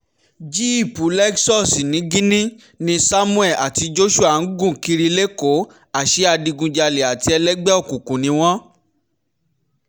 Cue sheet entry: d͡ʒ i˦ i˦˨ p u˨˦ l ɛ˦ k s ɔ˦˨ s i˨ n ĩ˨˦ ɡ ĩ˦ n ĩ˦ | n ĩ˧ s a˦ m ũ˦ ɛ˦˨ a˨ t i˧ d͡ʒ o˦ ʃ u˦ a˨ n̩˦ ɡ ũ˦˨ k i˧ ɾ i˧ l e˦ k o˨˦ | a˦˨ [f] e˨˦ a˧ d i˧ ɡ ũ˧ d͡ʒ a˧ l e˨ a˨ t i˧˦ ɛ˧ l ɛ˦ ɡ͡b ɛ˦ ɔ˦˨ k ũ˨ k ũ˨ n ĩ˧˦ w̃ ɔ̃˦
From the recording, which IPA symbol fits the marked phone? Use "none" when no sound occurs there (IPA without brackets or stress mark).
ʃ